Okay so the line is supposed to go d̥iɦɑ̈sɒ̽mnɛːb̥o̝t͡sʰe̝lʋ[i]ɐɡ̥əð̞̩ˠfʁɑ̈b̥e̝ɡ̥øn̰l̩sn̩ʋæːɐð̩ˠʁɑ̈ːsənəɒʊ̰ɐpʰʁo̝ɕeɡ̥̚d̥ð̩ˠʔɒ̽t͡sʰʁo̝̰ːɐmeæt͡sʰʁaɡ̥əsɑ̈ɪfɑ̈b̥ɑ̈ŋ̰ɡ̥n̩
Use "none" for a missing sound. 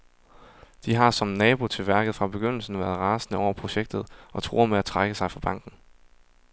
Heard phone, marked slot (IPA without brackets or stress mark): æ